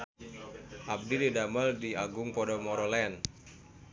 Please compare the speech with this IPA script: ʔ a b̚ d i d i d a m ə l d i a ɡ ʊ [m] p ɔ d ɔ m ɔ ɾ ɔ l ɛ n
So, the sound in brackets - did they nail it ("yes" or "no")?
no